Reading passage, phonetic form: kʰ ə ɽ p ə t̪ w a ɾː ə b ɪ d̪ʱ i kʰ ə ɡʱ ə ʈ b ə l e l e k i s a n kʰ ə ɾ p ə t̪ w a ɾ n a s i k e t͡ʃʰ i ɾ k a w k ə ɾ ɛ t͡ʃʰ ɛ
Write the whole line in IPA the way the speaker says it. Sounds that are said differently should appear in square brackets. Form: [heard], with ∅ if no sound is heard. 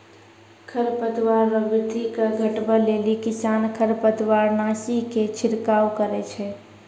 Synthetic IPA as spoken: kʰ ə [ɾ] p ə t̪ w a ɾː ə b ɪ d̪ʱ i [k] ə ɡʱ ə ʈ b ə l e l [i] k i s a n kʰ ə ɾ p ə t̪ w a ɾ n a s i k e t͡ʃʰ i ɾ k a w k ə ɾ ɛ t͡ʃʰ ɛ

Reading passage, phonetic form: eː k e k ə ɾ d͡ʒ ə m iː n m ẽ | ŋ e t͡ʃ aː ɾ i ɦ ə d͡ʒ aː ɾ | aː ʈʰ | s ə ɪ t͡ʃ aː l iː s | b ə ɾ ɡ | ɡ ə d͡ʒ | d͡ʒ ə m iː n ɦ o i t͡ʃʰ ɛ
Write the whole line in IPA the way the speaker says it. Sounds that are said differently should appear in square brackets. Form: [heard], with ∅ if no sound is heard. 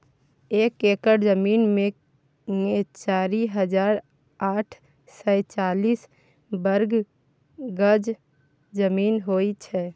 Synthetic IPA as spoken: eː k e k ə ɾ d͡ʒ ə m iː n m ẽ | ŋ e t͡ʃ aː ɾ i ɦ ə d͡ʒ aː ɾ | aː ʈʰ | s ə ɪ t͡ʃ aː l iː s | b ə ɾ ɡ | ɡ ə d͡ʒ | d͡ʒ ə m iː n ɦ o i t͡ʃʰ ɛ

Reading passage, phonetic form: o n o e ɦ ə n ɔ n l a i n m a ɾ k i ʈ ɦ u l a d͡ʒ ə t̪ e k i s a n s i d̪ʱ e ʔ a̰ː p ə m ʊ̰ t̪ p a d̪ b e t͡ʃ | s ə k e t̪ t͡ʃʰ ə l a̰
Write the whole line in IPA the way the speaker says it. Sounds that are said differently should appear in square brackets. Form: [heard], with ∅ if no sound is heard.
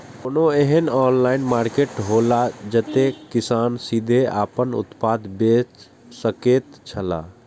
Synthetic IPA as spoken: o n o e ɦ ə n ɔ n l a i n m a ɾ k [e] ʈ ɦ [o] l a d͡ʒ ə t̪ e k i s a n s i d̪ʱ e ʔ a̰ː p ə [n] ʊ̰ t̪ p a d̪ b e t͡ʃ | s ə k e t̪ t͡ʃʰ ə l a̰

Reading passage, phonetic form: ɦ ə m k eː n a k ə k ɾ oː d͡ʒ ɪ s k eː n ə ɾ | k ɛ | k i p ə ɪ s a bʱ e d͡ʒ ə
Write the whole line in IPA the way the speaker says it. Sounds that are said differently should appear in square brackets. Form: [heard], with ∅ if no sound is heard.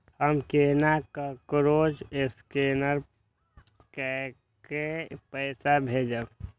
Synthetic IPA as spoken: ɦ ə m k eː n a k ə k ɾ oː d͡ʒ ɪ s k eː n ə ɾ | k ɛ | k [e] p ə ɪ s a bʱ e d͡ʒ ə

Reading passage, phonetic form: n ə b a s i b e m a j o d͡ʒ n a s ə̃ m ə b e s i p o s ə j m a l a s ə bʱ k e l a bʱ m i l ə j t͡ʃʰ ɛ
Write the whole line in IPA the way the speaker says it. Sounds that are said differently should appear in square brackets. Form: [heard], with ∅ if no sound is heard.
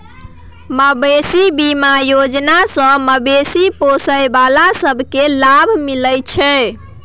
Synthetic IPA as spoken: [m] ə b [e] s i b [i] m a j o d͡ʒ n a s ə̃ m ə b e s i p o s ə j [b] a l a s ə bʱ k e l a bʱ m i l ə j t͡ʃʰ ɛ

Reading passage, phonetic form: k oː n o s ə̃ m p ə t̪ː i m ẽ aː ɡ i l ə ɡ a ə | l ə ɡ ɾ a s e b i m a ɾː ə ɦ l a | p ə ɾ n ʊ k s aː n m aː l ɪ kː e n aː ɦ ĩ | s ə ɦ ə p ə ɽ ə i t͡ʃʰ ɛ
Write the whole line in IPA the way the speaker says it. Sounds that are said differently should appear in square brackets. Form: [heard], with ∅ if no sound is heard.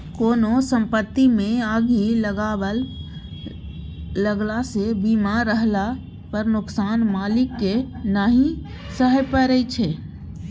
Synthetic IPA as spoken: k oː n o s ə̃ m p ə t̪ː i m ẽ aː ɡ i l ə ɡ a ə | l ə ɡ [l] a s e b i m a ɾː ə ɦ l a | p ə ɾ n ʊ k s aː n m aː l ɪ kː e n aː ɦ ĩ | s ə ɦ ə p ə [ɾ] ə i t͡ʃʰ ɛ

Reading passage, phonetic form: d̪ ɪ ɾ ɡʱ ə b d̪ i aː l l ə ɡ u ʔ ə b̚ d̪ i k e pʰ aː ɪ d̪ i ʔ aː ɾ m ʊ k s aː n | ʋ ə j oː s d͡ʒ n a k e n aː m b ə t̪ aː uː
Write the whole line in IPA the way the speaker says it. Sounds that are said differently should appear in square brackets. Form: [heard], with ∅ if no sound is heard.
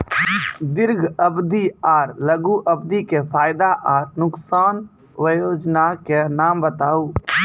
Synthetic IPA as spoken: d̪ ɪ ɾ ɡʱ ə b d̪ i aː [ɾ] l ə ɡ u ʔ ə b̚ d̪ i k e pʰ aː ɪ d̪ [a] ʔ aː ɾ [n] ʊ k s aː n | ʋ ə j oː [∅] d͡ʒ n a k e n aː m b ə t̪ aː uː

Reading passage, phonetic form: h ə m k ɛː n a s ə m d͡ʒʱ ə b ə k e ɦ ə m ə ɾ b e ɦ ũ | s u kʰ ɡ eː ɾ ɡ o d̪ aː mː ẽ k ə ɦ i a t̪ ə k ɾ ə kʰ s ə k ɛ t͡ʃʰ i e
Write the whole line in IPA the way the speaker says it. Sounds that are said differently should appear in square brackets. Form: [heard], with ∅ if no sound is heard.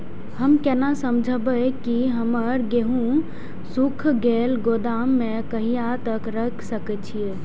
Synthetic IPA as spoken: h ə m k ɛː n a s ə m d͡ʒʱ ə b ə k [i] ɦ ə m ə ɾ [ɡ] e ɦ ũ | s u kʰ ɡ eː [l] ɡ o d̪ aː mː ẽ k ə ɦ i a t̪ ə k ɾ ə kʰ s ə k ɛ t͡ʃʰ i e

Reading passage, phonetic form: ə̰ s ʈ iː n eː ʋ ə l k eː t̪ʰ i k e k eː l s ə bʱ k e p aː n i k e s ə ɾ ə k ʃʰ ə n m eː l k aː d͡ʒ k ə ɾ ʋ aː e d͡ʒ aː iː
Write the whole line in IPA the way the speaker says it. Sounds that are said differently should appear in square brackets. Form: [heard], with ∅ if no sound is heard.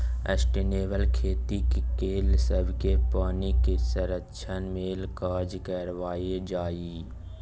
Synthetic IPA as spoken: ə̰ s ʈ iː n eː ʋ ə l [kʰ] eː [t̪] i k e k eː l s ə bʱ k e p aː n i k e s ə ɾ ə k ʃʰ ə n m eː l k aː d͡ʒ k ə ɾ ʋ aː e d͡ʒ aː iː

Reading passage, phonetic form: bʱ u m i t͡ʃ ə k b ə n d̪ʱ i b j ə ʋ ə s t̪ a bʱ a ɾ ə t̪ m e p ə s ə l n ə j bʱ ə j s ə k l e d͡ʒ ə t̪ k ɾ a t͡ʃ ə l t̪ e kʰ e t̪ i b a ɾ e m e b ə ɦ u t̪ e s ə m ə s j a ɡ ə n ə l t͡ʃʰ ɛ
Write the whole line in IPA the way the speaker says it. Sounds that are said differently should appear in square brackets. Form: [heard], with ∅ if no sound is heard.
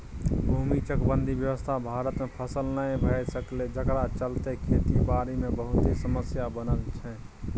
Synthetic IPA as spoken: bʱ u m i t͡ʃ ə k b ə n d̪ʱ i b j ə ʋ ə s [t̪ʰ] a bʱ a ɾ ə t̪ m e [pʰ] ə s ə l n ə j bʱ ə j s ə k l e d͡ʒ ə [∅] k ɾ a t͡ʃ ə l t̪ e kʰ e t̪ i b a ɾ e m e b ə ɦ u t̪ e s ə m ə s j a [b] ə n ə l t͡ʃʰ ɛ

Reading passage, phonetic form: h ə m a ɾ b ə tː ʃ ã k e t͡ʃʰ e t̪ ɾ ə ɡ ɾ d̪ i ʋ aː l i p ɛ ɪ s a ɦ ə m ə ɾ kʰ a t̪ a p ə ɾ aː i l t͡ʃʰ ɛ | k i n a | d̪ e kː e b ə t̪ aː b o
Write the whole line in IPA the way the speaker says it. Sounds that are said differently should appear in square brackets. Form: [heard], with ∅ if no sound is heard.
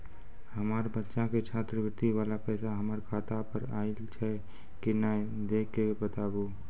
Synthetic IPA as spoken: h ə m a ɾ b ə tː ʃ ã k e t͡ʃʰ [a] t̪ ɾ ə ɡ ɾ [t̪] i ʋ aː l [a] p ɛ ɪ s a ɦ ə m ə ɾ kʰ a t̪ a p ə ɾ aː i l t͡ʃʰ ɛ | k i n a | d̪ e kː e b ə t̪ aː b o

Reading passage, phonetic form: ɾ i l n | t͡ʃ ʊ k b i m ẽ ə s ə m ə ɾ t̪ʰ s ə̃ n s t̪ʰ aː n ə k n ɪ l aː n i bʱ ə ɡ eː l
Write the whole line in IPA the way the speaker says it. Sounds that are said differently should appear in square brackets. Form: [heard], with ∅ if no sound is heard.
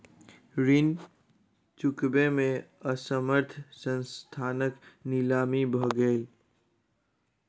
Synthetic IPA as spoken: ɾ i [∅] n | t͡ʃ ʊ k b [e] m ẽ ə s ə m ə ɾ t̪ʰ s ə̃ n s t̪ʰ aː n ə k n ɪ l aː [m] i bʱ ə ɡ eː l

